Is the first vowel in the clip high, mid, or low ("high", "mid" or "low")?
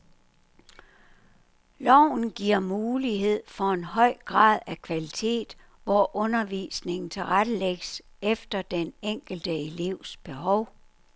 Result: low